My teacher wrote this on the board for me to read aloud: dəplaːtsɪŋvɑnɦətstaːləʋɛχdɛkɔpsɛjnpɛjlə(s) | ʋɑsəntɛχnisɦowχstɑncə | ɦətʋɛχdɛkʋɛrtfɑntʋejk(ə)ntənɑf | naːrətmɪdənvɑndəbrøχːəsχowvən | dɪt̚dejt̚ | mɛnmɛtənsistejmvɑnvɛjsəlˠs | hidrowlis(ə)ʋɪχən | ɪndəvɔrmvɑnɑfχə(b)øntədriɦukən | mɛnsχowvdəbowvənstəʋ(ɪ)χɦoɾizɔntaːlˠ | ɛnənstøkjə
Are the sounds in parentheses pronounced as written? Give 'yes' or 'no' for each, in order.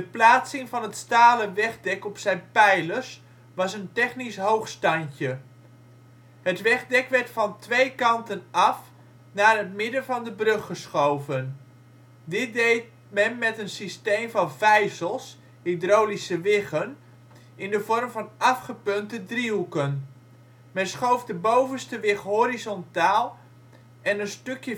yes, no, yes, no, yes

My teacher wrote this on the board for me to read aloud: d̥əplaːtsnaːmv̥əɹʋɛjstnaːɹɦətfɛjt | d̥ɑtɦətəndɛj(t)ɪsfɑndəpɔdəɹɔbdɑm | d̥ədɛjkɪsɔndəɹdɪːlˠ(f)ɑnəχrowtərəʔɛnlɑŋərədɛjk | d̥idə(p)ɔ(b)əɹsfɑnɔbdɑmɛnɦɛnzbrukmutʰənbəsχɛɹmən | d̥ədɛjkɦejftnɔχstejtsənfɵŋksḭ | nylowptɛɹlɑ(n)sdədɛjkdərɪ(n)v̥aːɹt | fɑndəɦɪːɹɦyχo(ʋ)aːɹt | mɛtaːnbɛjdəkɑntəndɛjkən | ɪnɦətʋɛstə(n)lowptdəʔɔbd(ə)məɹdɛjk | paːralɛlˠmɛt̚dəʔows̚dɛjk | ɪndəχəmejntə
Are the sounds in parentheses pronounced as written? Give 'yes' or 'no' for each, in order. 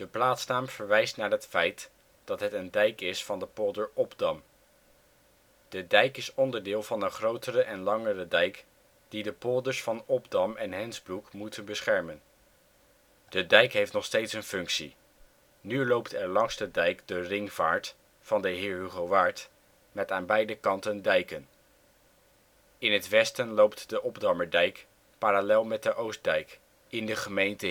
no, no, yes, no, no, no, yes, yes, no

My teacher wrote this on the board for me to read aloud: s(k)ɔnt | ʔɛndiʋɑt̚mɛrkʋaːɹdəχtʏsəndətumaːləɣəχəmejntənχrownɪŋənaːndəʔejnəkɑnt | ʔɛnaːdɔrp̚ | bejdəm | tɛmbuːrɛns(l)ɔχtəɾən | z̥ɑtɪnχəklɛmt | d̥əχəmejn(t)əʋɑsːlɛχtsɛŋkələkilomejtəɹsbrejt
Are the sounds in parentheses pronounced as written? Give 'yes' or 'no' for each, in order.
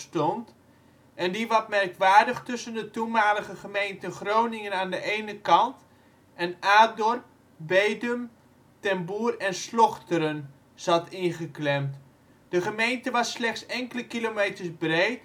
no, yes, yes

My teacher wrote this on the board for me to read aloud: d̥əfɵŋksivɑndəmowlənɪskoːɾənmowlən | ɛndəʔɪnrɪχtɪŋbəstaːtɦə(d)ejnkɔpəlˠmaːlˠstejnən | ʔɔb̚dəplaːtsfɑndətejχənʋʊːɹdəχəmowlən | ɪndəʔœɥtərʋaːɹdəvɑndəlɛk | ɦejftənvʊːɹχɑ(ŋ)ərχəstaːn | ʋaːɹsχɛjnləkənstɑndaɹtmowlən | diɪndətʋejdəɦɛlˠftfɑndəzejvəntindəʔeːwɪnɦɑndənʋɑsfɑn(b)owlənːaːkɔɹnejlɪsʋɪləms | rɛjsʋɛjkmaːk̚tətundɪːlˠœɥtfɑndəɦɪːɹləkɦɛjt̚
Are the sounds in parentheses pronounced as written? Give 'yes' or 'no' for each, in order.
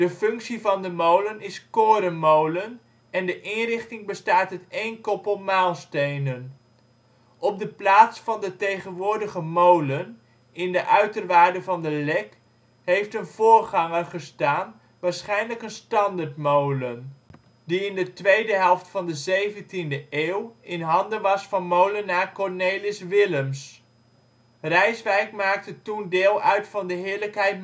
no, yes, no

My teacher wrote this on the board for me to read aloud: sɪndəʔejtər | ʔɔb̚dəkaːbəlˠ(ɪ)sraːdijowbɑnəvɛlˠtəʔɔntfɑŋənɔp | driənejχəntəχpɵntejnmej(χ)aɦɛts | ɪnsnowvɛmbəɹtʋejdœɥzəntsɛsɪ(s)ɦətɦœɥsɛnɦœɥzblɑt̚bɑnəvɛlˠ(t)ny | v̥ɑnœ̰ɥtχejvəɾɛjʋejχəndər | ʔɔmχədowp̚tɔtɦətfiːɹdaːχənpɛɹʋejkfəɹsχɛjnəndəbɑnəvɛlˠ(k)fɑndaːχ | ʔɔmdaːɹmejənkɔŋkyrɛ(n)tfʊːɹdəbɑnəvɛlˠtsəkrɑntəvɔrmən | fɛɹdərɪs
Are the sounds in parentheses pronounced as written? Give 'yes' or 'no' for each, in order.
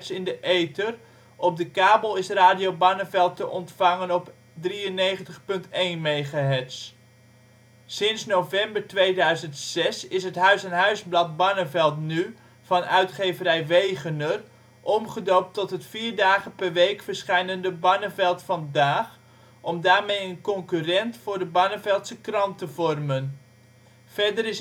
yes, yes, yes, yes, no, yes

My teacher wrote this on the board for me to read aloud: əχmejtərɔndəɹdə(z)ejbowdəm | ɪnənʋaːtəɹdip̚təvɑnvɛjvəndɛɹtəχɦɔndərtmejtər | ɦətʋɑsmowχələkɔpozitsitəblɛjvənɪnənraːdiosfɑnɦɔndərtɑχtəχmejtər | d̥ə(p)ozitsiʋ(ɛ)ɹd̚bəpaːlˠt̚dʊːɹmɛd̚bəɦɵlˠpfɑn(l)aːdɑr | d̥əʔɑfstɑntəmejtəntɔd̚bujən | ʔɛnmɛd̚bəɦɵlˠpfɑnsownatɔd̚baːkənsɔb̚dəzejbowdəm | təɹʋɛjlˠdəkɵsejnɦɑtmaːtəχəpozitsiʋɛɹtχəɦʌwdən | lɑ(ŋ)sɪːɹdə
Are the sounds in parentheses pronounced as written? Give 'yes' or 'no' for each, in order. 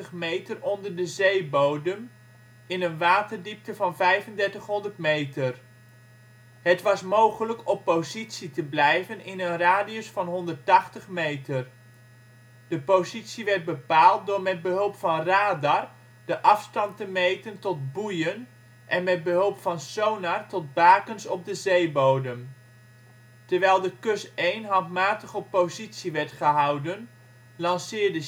yes, yes, yes, no, no

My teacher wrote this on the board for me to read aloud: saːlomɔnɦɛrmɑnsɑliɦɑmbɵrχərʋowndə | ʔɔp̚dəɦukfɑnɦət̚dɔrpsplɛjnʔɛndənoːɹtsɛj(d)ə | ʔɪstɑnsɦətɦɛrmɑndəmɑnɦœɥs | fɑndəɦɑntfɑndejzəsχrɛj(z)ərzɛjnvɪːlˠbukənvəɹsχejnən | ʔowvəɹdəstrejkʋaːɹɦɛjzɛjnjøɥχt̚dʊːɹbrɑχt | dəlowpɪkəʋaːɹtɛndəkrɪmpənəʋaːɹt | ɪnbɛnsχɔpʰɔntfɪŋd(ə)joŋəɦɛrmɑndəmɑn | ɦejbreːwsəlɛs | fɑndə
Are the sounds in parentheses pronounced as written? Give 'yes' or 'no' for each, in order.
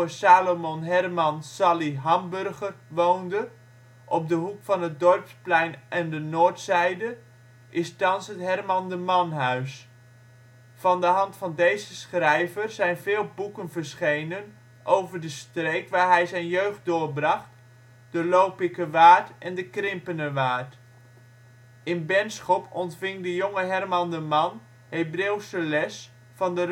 yes, no, yes

